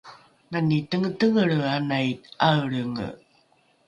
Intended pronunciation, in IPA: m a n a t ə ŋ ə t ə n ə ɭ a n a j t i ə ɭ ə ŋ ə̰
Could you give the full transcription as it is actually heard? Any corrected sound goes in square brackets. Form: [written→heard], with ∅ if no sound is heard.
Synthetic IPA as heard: [m→n] a n [a→i] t ə ŋ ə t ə [n→ŋ] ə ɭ a n a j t [i→a] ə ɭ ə ŋ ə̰